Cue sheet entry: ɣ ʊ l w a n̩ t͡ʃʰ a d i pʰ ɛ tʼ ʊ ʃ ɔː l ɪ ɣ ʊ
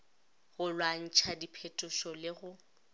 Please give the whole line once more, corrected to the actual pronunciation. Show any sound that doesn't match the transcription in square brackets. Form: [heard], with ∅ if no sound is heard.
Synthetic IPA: ɣ ʊ l w a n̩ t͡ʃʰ a d i pʰ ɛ tʼ ʊ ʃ [ɔ] l ɪ ɣ ʊ

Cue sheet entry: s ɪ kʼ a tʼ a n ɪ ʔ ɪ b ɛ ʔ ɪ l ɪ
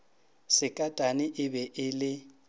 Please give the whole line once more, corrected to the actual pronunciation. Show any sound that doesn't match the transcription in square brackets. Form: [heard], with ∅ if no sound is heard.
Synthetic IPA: s ɪ kʼ a tʼ a n ɪ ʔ ɪ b ɛ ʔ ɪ l ɪ

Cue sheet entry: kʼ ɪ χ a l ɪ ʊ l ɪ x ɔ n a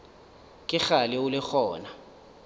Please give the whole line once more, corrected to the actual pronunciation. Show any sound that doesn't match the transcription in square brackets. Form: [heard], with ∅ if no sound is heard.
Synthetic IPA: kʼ ɪ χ a l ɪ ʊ l ɪ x [ɔː] n a

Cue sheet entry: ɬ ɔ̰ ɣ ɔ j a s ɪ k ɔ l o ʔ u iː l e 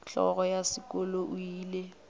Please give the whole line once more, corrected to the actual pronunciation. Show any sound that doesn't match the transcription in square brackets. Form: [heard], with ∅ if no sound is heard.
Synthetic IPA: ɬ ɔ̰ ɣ ɔ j a s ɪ k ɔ l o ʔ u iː l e

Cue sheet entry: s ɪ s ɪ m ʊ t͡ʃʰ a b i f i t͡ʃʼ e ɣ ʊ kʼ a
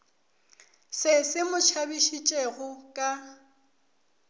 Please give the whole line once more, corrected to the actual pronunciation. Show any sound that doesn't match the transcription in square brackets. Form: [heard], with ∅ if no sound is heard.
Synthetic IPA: s ɪ s ɪ m ʊ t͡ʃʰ a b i [ʃ] i t͡ʃʼ e ɣ ʊ kʼ a

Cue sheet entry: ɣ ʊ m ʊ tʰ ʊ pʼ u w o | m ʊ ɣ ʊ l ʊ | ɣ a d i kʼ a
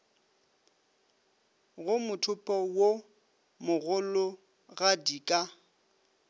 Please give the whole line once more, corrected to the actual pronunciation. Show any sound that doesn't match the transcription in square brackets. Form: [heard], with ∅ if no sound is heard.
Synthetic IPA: ɣ ʊ m ʊ tʰ ʊ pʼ [ɔ] w o | m ʊ ɣ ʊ l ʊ | ɣ a d i kʼ a

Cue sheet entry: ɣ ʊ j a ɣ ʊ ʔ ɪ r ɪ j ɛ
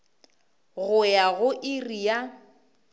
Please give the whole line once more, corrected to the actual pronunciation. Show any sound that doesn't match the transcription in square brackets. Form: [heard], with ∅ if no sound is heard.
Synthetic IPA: ɣ ʊ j a ɣ ʊ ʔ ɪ r [i] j [a]

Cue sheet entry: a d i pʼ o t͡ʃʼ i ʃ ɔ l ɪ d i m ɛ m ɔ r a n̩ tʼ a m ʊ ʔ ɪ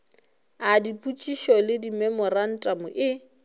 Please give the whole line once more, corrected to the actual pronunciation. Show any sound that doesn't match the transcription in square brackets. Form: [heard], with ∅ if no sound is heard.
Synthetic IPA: a d i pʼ [u] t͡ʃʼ i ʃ ɔ l ɪ d i m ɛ m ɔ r a n̩ tʼ a m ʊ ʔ ɪ

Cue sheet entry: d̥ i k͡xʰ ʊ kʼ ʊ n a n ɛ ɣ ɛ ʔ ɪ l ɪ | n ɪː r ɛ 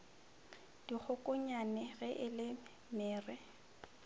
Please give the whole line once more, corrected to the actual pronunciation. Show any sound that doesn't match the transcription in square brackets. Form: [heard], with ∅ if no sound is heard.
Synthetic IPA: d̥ i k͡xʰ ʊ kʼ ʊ [ɲ] a n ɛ ɣ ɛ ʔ ɪ l ɪ | [m] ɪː r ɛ

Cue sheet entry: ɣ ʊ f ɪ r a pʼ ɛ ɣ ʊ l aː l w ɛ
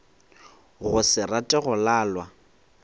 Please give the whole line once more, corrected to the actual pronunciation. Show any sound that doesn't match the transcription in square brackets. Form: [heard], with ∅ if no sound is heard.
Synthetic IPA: ɣ ʊ [s] ɪ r a [tʼ] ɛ ɣ ʊ l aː l w [a]

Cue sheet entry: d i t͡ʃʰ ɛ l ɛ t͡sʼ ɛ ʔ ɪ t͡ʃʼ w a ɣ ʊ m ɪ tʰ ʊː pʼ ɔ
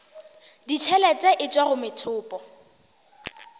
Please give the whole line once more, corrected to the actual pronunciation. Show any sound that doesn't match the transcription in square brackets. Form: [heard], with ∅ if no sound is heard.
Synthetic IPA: d i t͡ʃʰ ɛ l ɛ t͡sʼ ɛ ʔ ɪ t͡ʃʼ w a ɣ ʊ m ɪ tʰ ʊː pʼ ɔ

